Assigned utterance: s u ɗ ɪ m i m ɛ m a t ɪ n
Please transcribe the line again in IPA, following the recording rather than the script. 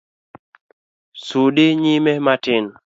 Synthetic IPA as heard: s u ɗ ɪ ɲ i m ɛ m a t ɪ n